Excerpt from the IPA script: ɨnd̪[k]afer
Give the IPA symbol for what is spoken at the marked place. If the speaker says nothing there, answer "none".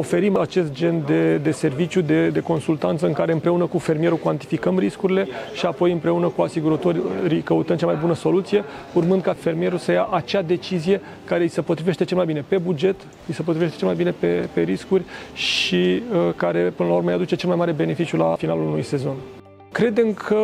k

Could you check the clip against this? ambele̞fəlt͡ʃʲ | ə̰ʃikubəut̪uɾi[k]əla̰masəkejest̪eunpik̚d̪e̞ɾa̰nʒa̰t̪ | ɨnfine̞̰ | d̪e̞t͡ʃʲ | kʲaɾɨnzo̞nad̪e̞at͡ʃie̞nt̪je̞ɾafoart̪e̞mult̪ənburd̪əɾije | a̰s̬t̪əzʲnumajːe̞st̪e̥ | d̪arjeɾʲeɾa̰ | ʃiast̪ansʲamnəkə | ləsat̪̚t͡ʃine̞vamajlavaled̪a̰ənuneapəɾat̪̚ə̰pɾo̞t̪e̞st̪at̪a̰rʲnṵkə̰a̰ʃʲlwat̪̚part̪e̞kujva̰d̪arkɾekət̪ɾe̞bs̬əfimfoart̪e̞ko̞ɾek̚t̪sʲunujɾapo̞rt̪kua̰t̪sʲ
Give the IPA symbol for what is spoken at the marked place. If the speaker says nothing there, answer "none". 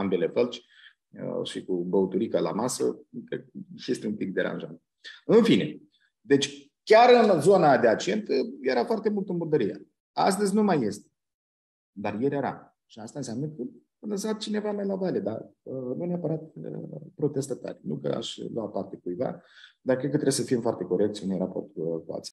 k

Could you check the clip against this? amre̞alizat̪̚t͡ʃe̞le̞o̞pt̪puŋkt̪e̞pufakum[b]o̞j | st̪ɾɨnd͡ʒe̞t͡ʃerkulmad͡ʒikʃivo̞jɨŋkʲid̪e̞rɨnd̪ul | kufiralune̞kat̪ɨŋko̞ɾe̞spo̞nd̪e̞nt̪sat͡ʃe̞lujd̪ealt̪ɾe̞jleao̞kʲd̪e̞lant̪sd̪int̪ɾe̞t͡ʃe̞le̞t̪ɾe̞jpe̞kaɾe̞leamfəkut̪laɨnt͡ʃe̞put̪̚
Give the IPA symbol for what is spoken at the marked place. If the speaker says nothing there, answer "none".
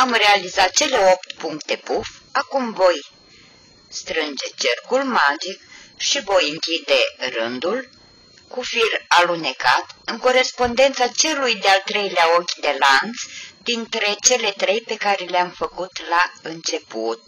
v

